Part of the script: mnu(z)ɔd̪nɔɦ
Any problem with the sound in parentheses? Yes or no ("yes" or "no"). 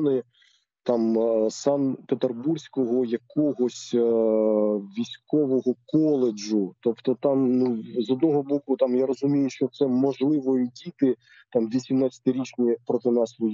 no